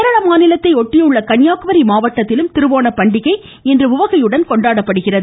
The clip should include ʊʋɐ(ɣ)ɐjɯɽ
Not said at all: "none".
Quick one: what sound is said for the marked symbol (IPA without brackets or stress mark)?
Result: ɣ